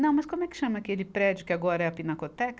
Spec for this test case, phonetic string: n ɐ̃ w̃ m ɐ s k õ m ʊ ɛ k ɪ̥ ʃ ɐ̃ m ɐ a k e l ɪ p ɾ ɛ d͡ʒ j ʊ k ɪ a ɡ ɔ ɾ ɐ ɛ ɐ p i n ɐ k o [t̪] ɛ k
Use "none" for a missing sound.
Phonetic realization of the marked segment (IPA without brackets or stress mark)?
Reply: t̪